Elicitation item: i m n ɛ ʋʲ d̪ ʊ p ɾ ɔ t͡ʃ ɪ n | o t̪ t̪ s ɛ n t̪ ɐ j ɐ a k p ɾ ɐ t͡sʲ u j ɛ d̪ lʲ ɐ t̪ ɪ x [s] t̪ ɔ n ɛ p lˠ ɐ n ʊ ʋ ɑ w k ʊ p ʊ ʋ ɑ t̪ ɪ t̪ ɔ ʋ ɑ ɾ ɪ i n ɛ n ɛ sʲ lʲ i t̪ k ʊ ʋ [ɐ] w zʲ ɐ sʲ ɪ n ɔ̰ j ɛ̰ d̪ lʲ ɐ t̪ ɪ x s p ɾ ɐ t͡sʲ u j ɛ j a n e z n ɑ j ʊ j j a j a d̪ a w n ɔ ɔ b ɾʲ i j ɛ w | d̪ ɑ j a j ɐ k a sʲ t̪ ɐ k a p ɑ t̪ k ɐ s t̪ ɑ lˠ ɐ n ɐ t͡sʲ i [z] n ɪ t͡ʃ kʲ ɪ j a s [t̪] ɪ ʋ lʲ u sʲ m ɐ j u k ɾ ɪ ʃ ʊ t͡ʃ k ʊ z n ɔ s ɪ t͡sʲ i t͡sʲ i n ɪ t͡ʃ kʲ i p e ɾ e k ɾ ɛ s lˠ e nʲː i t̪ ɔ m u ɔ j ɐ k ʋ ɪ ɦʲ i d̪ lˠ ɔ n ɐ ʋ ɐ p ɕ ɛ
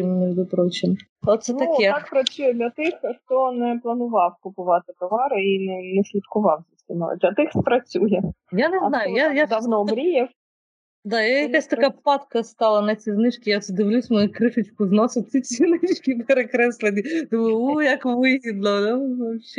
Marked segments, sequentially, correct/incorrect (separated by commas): incorrect, incorrect, correct, incorrect